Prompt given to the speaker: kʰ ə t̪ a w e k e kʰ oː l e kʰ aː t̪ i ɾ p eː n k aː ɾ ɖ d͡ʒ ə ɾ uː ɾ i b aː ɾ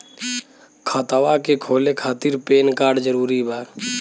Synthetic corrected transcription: kʰ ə t̪ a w a k e kʰ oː l e kʰ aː t̪ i ɾ p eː n k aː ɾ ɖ d͡ʒ ə ɾ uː ɾ i b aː ɾ